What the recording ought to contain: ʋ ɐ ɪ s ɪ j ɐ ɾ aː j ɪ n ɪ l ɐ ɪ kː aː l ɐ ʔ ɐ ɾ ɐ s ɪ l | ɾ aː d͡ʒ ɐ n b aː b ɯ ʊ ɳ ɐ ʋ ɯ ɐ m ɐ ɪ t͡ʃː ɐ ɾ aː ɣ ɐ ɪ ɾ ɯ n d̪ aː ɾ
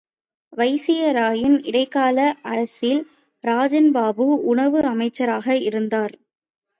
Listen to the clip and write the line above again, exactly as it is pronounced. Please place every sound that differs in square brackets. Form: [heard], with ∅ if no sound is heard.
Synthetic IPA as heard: ʋ ɐ ɪ s ɪ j ɐ ɾ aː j ɪ n ɪ [ɽ] ɐ ɪ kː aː l ɐ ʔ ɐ ɾ ɐ s ɪ l | ɾ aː d͡ʒ ɐ n b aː b ɯ ʊ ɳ ɐ ʋ ɯ ɐ m ɐ ɪ t͡ʃː ɐ ɾ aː ɣ ɐ ɪ ɾ ɯ n d̪ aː ɾ

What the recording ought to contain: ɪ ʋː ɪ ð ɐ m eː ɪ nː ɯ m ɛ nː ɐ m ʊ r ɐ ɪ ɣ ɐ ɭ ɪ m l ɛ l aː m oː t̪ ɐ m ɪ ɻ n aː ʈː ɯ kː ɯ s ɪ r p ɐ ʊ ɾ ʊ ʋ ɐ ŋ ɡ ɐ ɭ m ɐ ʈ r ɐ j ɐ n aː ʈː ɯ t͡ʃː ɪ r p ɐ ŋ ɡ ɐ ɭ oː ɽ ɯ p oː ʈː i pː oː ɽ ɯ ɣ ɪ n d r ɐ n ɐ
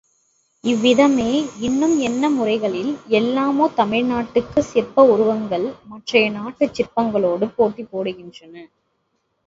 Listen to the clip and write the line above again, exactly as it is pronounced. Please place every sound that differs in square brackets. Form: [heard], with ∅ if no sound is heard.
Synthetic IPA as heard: ɪ ʋː ɪ ð ɐ m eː ɪ nː ɯ m ɛ nː ɐ m ʊ r ɐ ɪ ɣ ɐ ɭ ɪ [∅] l ɛ [lː] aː m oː t̪ ɐ m ɪ ɻ n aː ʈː ɯ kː ɯ s ɪ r p ɐ ʊ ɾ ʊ ʋ ɐ ŋ ɡ ɐ ɭ m ɐ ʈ r ɐ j ɐ n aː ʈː ɯ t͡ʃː ɪ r p ɐ ŋ ɡ ɐ ɭ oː ɽ ɯ p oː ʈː i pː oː ɽ ɯ ɣ ɪ n d r ɐ n ɐ

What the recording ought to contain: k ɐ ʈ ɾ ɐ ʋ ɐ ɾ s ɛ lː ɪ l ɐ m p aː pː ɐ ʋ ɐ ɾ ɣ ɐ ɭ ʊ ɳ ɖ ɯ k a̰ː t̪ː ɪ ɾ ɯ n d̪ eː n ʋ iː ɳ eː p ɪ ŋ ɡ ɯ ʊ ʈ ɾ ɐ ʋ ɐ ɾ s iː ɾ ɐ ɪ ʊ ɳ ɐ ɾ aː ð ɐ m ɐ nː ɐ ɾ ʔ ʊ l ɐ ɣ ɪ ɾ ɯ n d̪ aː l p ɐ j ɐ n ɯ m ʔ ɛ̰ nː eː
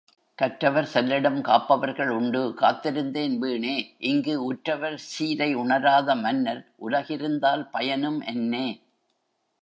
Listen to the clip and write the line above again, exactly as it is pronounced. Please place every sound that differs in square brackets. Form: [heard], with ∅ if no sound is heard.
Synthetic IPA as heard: k ɐ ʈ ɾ ɐ ʋ ɐ ɾ s ɛ lː ɪ [ɽ] ɐ m [k] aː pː ɐ ʋ ɐ ɾ ɣ ɐ ɭ ʊ ɳ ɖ ɯ k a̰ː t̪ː ɪ ɾ ɯ n d̪ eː n ʋ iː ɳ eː [ʔ] ɪ ŋ ɡ ɯ ʊ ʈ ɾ ɐ ʋ ɐ ɾ s iː ɾ ɐ ɪ ʊ ɳ ɐ ɾ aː ð ɐ m ɐ nː ɐ ɾ ʔ ʊ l ɐ ɣ ɪ ɾ ɯ n d̪ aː l p ɐ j ɐ n ɯ m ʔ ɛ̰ nː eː

